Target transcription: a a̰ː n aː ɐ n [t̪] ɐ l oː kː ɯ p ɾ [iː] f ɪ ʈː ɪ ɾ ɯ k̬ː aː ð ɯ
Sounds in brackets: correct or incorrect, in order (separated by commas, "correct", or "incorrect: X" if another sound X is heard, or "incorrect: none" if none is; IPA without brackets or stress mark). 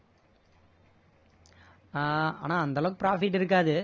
incorrect: d̪, incorrect: aː